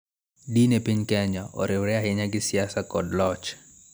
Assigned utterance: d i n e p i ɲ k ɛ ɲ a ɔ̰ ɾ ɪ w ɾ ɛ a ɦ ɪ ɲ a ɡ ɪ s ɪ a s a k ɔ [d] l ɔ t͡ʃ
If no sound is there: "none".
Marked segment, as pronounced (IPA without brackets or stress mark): d